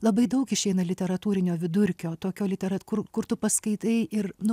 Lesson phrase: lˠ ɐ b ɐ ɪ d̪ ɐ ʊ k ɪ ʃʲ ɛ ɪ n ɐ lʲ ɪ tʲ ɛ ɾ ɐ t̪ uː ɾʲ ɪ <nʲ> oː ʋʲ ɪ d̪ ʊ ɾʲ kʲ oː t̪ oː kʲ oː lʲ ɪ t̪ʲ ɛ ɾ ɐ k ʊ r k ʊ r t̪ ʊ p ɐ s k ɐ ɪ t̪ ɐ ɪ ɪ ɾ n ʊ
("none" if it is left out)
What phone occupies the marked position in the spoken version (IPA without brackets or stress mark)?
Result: nʲ